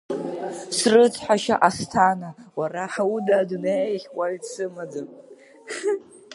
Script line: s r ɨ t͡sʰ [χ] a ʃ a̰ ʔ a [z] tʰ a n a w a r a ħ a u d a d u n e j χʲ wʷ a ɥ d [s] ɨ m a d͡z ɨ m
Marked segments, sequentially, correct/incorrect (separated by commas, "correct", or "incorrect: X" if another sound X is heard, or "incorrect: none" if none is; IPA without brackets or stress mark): incorrect: ħ, incorrect: s, correct